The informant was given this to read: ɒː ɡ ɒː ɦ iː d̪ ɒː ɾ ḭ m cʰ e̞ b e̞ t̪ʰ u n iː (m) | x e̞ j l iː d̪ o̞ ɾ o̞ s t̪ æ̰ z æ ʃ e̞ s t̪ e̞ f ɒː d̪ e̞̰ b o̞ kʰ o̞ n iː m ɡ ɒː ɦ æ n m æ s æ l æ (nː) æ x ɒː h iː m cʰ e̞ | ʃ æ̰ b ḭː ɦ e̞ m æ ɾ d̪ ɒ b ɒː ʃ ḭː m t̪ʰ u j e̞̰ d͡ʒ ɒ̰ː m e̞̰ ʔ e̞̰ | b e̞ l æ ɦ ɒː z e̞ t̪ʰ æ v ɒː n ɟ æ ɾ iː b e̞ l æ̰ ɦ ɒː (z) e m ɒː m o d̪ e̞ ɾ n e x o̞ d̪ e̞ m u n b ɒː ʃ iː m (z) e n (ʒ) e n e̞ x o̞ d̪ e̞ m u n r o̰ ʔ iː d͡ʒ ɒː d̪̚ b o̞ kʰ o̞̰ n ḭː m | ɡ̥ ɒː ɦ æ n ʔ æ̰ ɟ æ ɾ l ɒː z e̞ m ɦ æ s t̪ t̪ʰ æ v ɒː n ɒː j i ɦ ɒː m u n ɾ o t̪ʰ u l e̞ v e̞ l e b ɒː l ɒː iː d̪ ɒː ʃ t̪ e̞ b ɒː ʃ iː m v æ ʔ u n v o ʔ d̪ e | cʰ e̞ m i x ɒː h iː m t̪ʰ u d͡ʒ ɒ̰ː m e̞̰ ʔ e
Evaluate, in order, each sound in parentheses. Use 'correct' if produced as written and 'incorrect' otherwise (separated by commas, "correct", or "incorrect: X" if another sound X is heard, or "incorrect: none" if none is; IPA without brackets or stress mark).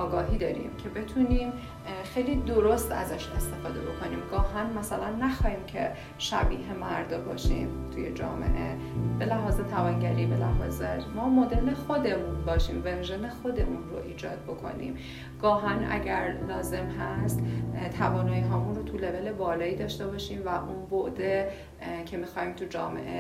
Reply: correct, correct, correct, incorrect: v, correct